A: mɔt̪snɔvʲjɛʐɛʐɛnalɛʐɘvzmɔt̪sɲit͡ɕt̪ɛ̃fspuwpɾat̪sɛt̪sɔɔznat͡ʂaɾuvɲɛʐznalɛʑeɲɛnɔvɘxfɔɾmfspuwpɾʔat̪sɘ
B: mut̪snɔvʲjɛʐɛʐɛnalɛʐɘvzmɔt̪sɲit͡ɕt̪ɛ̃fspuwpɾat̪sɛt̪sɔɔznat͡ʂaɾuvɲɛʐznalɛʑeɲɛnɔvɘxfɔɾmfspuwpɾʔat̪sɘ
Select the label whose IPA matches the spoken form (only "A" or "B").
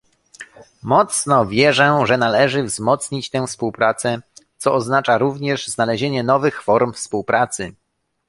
A